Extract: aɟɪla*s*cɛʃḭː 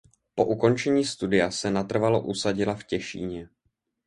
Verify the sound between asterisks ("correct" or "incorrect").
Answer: incorrect